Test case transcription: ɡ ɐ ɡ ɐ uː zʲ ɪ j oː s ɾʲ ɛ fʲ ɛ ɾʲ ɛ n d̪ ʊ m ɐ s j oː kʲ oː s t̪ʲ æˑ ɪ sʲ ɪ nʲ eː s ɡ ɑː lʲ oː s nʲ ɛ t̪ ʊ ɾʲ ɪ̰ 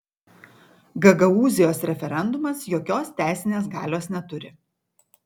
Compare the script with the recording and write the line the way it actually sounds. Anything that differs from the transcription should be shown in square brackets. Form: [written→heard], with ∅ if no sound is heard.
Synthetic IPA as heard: ɡ ɐ ɡ ɐ uː zʲ ɪ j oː s ɾʲ ɛ fʲ ɛ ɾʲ ɛ n d̪ ʊ m ɐ s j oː kʲ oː s t̪ʲ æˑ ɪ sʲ ɪ nʲ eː s ɡ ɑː lʲ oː s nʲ ɛ t̪ ʊ ɾʲ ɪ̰